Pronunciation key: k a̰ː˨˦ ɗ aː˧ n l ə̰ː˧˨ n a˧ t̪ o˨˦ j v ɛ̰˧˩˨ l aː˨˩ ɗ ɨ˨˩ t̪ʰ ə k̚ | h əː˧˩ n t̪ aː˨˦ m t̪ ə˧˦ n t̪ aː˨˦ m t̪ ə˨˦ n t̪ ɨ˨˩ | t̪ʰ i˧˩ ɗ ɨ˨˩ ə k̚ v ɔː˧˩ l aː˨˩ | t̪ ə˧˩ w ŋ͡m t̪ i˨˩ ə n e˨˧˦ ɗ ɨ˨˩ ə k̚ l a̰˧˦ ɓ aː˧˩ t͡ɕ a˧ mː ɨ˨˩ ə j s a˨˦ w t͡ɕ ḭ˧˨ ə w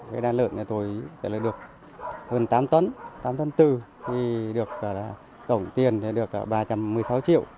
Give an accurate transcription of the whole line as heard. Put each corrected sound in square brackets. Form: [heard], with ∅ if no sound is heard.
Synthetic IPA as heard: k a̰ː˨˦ ɗ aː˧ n l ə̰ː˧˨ n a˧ t̪ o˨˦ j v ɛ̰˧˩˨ l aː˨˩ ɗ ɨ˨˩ [∅] ə k̚ | h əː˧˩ n t̪ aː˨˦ m t̪ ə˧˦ n t̪ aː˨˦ m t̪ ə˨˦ n t̪ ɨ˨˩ | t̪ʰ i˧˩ ɗ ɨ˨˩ ə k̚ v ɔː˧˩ l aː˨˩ | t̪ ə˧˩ w ŋ͡m t̪ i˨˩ ə n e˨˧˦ ɗ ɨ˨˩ ə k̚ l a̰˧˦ ɓ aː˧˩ t͡ɕ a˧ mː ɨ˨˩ ə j s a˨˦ w t͡ɕ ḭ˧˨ ə w